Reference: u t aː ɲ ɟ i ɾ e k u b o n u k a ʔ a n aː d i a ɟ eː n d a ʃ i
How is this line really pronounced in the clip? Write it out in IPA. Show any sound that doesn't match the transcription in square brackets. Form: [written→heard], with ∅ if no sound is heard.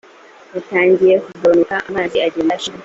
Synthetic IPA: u t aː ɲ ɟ i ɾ e k u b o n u k a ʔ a [n→m] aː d i a ɟ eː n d a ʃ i

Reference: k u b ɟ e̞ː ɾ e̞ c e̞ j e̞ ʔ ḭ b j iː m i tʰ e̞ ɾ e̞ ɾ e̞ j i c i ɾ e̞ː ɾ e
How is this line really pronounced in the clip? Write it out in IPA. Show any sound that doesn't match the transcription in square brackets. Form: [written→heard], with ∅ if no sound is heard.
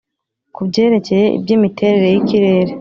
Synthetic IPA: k u b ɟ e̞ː ɾ e̞ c e̞ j e̞ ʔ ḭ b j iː m i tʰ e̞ ɾ e̞ ɾ e̞ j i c i ɾ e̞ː ɾ e

